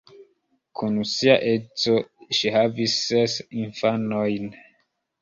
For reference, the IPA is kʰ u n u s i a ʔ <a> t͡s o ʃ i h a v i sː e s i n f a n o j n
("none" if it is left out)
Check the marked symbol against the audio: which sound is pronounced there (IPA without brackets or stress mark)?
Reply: e